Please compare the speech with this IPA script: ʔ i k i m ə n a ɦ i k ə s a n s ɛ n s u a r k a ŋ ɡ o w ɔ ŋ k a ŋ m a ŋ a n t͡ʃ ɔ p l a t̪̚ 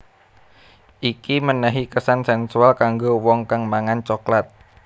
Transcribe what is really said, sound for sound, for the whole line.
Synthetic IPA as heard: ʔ i k i m ə n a ɦ i k ə s a n s ɛ n s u a l k a ŋ ɡ o w ɔ ŋ k a ŋ m a ŋ a n t͡ʃ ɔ k l a t̪̚